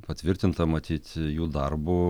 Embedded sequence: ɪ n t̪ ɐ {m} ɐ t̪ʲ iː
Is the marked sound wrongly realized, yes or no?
no